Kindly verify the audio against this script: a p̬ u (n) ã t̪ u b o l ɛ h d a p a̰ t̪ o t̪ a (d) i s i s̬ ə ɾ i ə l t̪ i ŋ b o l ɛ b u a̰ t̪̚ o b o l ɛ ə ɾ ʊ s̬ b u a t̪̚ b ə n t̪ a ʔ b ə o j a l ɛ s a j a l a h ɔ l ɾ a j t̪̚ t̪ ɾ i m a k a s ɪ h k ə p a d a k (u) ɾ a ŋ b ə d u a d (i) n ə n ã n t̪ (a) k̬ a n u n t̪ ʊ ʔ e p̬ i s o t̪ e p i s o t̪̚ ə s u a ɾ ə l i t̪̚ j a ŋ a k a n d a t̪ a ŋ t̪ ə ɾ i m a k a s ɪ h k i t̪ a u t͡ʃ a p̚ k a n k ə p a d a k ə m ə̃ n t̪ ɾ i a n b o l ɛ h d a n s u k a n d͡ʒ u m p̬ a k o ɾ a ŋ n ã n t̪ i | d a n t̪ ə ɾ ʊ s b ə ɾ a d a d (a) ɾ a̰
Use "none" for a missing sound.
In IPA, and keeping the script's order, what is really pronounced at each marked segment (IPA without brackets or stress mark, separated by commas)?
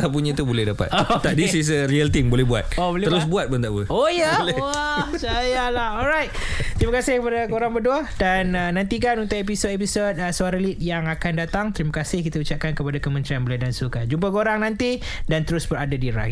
ɲ, d, o, a, i, i